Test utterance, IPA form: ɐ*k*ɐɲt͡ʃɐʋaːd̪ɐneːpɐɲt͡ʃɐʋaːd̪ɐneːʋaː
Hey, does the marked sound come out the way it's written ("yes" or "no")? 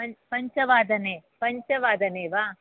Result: no